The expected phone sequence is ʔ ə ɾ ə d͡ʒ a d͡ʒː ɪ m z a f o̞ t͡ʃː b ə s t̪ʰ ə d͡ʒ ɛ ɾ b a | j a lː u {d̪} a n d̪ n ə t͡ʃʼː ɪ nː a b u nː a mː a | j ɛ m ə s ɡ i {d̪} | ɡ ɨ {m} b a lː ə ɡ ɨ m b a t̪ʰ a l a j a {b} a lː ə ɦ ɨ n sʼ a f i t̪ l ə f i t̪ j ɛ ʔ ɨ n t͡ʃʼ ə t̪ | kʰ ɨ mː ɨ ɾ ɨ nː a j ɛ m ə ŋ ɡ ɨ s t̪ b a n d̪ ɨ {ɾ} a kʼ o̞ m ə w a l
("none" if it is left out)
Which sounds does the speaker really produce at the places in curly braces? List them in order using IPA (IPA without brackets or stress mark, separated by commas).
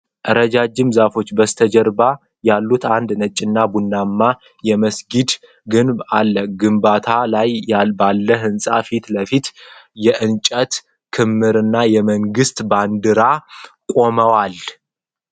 t̪, d̪, n, b, ɾ